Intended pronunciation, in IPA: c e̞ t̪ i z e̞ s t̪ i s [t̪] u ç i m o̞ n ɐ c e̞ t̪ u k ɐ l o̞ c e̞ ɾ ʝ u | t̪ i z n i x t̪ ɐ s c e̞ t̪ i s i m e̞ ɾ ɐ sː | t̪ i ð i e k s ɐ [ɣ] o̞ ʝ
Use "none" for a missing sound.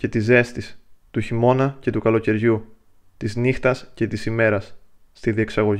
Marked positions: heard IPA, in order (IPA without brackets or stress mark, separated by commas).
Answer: t̪, ɣ